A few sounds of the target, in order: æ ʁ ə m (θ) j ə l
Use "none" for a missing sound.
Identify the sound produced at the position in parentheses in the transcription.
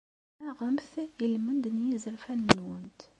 θ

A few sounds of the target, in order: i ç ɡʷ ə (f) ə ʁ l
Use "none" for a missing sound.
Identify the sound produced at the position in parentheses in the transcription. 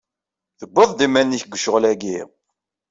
ʃ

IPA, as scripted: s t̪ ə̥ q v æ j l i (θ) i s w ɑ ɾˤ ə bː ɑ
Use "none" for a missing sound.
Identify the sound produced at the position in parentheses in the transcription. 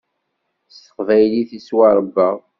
θ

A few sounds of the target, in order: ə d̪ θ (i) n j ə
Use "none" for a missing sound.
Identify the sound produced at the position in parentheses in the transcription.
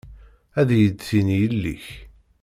i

